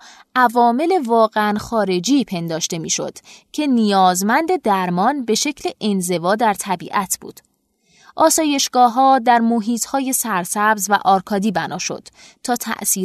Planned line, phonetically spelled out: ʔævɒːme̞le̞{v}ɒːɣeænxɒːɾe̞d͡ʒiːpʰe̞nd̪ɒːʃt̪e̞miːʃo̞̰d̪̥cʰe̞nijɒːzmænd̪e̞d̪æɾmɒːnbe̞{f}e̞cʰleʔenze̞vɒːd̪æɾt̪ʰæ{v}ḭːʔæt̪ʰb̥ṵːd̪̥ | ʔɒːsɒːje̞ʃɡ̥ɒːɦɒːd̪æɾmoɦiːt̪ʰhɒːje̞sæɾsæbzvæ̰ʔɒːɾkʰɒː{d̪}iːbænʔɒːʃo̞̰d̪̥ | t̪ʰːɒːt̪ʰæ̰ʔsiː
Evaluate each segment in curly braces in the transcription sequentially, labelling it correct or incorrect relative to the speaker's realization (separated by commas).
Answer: correct, incorrect, incorrect, correct